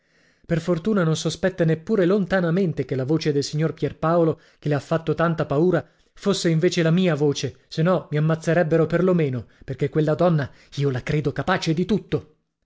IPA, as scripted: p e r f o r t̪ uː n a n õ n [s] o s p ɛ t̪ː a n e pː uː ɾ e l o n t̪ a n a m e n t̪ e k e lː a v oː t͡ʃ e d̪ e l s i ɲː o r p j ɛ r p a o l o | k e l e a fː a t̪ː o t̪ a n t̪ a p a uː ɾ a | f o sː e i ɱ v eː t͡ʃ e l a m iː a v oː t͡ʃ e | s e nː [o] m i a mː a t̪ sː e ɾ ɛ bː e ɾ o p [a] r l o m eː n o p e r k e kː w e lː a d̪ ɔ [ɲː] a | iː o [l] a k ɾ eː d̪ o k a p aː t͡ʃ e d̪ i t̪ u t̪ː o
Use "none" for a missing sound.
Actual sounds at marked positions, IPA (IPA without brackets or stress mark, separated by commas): s, ɔ, e, nː, l